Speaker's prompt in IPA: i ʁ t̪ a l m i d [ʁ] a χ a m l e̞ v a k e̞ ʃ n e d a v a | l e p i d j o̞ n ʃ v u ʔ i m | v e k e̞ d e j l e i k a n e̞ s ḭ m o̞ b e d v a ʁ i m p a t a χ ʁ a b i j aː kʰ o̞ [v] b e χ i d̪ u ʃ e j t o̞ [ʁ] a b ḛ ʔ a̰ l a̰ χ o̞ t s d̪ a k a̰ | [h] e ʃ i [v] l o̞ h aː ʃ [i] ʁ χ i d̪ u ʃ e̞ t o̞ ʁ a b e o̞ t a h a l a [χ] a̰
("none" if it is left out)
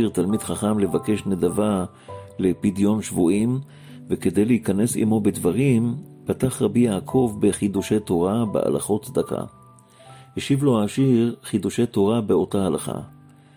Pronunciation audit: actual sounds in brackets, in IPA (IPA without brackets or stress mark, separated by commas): χ, v, ʁ, h, v, i, χ